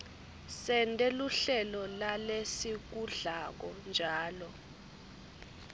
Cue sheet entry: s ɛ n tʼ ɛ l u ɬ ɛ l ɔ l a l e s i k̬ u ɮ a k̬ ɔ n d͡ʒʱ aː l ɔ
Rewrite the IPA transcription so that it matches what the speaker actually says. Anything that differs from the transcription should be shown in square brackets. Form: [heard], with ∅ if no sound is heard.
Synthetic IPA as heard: s ɛ n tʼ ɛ l u ɬ ɛ l ɔ l a l e s i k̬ u ɮ a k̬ ɔ n d͡ʒʱ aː l ɔ